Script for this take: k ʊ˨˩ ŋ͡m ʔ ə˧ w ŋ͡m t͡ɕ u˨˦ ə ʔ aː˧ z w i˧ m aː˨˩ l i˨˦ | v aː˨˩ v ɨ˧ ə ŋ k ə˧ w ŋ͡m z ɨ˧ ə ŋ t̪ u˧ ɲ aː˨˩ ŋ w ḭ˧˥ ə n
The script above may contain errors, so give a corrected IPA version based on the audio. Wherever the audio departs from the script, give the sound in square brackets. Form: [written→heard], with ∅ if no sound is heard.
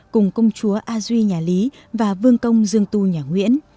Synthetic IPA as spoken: k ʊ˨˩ ŋ͡m [ʔ→k] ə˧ w ŋ͡m t͡ɕ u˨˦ ə ʔ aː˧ z w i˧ [m→ɲ] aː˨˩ l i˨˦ | v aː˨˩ v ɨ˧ ə ŋ k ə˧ w ŋ͡m z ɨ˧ ə ŋ t̪ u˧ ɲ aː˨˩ ŋ w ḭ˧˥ ə n